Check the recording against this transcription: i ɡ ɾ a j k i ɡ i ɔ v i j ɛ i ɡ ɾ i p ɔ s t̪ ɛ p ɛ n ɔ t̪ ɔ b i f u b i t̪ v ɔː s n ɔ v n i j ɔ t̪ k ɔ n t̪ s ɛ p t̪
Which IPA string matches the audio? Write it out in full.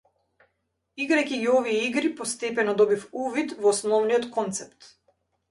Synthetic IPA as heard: i ɡ ɾ a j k i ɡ i ɔ v i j ɛ i ɡ ɾ i p ɔ s t̪ ɛ p ɛ n ɔ d̪ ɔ b i f u v i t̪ v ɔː s n ɔ v n i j ɔ t̪ k ɔ n t̪ s ɛ p t̪

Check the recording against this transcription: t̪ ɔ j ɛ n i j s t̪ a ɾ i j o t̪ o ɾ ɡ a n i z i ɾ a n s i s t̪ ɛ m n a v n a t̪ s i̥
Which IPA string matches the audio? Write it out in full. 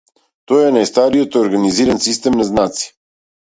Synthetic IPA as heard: t̪ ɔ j ɛ n a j s t̪ a ɾ i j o t̪ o ɾ ɡ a n i z i ɾ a n s i s t̪ ɛ m n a z n a t̪ s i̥

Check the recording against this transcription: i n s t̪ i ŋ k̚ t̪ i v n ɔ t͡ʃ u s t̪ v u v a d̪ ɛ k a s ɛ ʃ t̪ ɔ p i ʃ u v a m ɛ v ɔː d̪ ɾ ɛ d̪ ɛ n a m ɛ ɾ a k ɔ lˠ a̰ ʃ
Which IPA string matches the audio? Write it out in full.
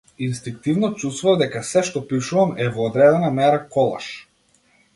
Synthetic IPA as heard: i n s t̪ i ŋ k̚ t̪ i v n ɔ t͡ʃ u s t̪ v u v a d̪ ɛ k a s ɛ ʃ t̪ ɔ p i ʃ u v a m ɛ v ɔː d̪ ɾ ɛ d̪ ɛ n a m ɛ ɾ a k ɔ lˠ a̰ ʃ

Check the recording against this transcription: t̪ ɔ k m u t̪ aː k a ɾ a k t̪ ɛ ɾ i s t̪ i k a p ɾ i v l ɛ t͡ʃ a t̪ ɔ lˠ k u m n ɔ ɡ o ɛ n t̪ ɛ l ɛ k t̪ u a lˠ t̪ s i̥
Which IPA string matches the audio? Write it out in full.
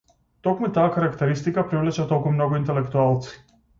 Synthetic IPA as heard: t̪ ɔ k m u t̪ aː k a ɾ a k t̪ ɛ ɾ i s t̪ i k a p ɾ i v l ɛ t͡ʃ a t̪ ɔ lˠ k u m n ɔ ɡ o i n t̪ ɛ l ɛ k t̪ u a lˠ t̪ s i̥

